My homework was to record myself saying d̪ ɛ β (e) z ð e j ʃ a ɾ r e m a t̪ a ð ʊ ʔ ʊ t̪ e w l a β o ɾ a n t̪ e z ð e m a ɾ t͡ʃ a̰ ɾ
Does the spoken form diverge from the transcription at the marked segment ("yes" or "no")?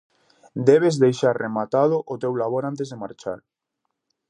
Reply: no